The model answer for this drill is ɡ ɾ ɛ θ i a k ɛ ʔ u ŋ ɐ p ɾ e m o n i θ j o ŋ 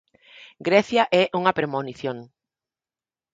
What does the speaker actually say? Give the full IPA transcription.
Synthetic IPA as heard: ɡ ɾ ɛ θ j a ʔ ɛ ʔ u ŋ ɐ p ɾ e m o n i θ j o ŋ